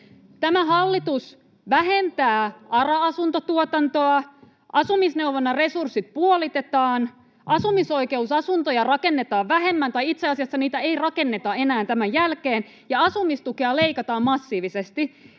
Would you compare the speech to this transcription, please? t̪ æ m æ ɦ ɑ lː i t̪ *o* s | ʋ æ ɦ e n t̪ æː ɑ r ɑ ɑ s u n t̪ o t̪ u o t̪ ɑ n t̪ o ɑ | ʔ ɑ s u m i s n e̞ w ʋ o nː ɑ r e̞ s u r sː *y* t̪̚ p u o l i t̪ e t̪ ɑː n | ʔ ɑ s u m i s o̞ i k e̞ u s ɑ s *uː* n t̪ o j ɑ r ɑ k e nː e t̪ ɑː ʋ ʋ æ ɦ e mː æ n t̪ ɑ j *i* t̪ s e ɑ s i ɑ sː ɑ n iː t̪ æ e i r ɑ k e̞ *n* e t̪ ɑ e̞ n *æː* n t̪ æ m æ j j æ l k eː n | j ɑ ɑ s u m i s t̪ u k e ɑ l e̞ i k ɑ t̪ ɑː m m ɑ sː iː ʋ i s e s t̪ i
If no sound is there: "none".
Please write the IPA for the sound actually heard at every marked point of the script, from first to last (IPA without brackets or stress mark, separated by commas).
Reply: u, i, u, i, nː, æː